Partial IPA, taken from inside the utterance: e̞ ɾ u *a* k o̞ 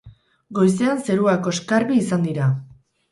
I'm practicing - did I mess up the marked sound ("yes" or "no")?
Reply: no